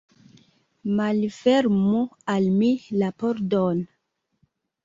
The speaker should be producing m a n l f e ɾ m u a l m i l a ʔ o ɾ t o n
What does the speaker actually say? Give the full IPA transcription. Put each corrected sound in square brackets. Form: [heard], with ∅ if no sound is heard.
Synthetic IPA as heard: m a [∅] l f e ɾ m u a l m i l a [p] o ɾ [d] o n